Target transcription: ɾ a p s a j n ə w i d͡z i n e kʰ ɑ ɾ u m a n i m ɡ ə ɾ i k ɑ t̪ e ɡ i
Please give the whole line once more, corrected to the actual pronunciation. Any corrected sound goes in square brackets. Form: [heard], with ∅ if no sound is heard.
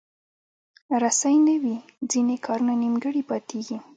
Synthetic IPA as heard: ɾ a [∅] s a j n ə w i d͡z i n e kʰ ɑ ɾ u [n] a n i m ɡ ə [ɽ] i [p] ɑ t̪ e ɡ i